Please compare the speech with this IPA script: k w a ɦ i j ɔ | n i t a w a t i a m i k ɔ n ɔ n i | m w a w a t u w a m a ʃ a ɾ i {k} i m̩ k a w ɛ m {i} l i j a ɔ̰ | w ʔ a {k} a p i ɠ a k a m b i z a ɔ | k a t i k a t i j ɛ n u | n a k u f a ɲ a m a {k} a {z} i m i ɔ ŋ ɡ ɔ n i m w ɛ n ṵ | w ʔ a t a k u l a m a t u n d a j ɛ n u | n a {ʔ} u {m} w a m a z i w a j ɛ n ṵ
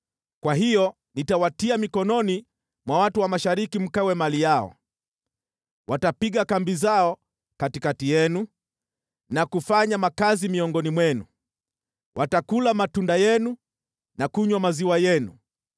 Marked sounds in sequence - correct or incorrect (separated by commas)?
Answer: correct, incorrect, incorrect, correct, correct, incorrect, incorrect